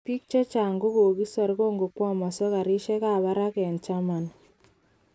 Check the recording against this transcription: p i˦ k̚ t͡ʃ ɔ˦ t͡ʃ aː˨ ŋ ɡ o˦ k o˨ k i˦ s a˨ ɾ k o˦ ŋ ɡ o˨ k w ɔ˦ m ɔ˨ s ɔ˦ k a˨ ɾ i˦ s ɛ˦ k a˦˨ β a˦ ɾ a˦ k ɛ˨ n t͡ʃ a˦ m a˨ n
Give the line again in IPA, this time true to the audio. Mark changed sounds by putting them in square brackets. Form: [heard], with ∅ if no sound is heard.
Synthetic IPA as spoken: p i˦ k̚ t͡ʃ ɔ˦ t͡ʃ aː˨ ŋ ɡ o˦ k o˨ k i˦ s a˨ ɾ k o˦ ŋ ɡ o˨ k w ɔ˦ m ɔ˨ s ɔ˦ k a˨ ɾ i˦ [ʃ] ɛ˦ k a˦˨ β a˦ ɾ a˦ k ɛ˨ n t͡ʃ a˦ m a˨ n